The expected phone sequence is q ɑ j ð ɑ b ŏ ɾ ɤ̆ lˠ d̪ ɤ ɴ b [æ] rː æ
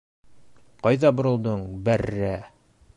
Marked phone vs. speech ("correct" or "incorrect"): correct